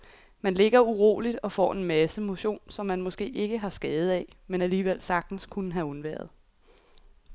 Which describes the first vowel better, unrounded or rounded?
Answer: unrounded